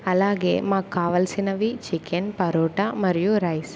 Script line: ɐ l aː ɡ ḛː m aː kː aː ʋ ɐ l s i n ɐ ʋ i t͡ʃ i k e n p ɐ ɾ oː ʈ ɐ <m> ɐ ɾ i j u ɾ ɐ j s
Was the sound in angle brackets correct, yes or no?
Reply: yes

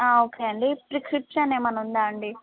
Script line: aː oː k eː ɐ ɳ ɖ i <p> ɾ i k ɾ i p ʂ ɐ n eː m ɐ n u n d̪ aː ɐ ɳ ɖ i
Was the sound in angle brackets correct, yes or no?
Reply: yes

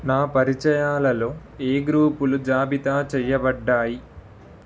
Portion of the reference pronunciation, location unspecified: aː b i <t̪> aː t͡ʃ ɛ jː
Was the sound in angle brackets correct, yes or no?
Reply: yes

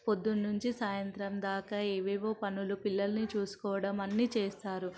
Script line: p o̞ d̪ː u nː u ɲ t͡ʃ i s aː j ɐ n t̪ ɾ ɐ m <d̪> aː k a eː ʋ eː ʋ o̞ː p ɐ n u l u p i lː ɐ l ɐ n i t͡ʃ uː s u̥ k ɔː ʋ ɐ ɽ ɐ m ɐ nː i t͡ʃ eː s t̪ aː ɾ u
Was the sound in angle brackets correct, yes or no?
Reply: yes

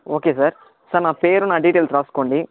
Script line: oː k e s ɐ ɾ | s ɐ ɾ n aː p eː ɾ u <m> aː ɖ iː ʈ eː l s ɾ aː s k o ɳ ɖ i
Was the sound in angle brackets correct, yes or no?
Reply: no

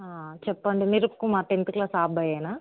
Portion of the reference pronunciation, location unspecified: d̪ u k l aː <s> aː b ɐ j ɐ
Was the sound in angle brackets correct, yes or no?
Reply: yes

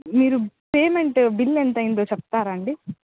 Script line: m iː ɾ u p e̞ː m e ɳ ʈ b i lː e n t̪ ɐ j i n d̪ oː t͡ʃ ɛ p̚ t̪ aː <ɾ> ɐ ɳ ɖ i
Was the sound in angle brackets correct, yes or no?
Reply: yes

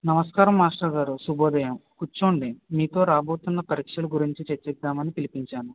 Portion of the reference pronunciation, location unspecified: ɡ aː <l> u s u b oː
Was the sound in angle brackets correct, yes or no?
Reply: no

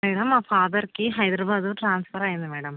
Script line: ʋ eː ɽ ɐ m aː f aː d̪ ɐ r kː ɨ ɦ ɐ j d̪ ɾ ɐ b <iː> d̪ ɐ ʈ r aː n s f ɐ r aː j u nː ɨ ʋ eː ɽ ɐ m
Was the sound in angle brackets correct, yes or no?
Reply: no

